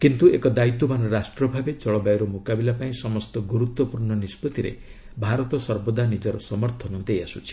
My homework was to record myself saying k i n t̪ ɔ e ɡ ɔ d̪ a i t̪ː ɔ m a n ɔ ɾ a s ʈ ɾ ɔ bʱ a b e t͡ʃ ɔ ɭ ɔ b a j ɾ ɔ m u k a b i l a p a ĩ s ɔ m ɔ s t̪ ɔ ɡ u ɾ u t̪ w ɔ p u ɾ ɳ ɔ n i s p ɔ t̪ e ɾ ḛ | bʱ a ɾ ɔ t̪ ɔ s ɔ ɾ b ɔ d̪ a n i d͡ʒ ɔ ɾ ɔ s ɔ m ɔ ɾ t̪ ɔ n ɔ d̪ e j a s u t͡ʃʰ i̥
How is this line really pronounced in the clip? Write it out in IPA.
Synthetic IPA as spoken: k i n t̪ u e k ɔ d̪ a i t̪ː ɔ m a n ɔ ɾ a s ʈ ɾ ɔ bʱ a b e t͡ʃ ɔ ɭ ɔ b a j ɾ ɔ m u k a b i l a p a ĩ s ɔ m ɔ s t̪ ɔ ɡ u ɾ u t̪ w ɔ p u ɾ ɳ ɔ n i s p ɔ t̪ i ɾ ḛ | bʱ a ɾ ɔ t̪ ɔ s ɔ ɾ b ɔ d̪ a n i d͡ʒ ɔ ɾ ɔ s ɔ m ɔ ɾ t̪ʰ ɔ n ɔ d̪ e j a s u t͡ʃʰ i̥